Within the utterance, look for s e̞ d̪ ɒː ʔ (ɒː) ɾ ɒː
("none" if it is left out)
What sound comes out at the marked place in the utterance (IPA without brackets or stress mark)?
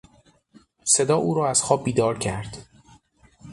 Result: uː